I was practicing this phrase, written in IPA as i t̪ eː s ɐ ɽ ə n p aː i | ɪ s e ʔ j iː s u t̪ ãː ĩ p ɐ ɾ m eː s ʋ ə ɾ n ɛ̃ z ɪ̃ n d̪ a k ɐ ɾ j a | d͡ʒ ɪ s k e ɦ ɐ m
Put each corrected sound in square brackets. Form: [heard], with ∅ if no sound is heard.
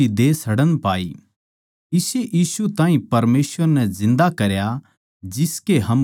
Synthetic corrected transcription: i [d̪] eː s ɐ ɽ ə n p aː i | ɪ s e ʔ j iː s u t̪ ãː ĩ p ɐ ɾ m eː s ʋ ə ɾ n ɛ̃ z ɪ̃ n d̪ a k ɐ ɾ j a | d͡ʒ ɪ s k e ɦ ɐ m